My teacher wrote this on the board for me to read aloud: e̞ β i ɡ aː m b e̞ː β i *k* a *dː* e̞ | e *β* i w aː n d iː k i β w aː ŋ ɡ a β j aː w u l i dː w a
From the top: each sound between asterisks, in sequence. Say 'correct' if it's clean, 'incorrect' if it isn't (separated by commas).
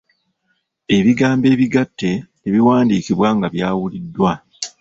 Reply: incorrect, incorrect, correct